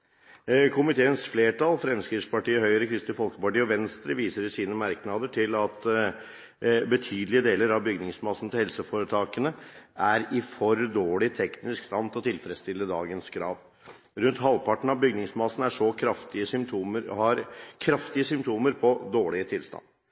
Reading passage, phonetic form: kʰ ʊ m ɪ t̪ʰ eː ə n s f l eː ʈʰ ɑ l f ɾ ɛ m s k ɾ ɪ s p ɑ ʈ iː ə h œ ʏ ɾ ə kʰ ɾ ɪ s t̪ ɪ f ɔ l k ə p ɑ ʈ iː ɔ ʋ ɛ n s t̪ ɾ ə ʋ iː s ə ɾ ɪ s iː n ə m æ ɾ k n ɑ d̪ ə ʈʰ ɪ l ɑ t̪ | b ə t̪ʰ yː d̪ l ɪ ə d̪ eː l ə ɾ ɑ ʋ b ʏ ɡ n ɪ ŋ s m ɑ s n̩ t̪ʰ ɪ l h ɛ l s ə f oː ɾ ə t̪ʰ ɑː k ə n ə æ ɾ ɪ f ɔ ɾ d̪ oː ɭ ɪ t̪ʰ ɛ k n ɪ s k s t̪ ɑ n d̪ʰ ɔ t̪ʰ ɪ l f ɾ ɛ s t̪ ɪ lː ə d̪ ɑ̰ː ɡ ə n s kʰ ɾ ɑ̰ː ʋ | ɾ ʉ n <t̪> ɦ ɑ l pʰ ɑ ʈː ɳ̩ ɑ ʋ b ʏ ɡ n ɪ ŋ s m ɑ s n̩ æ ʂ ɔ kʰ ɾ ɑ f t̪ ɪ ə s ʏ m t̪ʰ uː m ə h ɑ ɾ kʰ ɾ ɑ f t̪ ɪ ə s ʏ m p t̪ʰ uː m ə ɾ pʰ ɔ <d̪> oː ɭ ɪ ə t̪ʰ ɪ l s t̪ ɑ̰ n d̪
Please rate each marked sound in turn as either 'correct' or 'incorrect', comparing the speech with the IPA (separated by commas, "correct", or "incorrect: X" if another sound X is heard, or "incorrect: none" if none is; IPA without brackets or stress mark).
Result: correct, correct